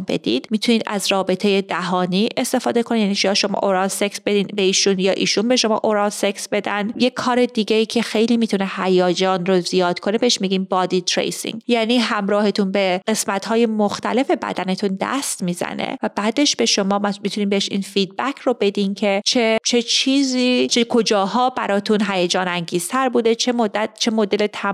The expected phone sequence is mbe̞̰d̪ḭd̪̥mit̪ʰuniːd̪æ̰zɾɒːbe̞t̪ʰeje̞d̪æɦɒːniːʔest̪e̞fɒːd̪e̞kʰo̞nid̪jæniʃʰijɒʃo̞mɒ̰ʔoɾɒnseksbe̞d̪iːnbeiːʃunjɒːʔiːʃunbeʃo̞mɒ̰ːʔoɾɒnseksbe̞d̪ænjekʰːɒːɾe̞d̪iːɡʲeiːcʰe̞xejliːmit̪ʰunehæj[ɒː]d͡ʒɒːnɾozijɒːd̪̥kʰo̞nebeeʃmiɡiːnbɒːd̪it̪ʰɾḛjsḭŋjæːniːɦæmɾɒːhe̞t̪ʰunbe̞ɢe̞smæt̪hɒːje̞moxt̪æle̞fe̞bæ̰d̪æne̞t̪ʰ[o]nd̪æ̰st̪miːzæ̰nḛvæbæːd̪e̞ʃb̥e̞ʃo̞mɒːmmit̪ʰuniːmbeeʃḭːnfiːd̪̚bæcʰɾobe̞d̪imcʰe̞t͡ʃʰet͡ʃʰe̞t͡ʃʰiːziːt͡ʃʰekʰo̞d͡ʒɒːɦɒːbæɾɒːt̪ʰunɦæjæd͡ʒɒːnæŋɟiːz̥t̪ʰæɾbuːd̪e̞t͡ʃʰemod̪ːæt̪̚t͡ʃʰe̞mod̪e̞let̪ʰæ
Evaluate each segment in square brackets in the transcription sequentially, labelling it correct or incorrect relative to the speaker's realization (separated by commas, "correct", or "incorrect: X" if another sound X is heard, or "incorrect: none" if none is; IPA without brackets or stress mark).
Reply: correct, incorrect: u